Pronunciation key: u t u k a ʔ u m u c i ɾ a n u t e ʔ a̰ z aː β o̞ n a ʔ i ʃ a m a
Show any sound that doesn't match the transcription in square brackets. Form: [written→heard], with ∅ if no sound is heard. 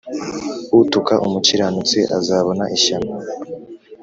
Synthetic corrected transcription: u t u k a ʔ u m u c i ɾ a n u [t→t͡s] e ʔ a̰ z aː β o̞ n a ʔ i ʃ a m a